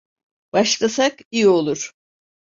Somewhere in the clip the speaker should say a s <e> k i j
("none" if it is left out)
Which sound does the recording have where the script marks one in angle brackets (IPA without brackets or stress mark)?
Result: a